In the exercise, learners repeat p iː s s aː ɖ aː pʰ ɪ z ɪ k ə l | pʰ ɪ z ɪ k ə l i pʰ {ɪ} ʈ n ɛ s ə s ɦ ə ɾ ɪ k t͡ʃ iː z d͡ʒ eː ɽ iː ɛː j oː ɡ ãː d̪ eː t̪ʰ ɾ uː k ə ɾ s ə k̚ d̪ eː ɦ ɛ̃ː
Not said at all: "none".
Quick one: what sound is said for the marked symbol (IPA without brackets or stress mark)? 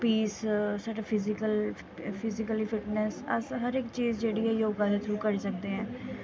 ɪ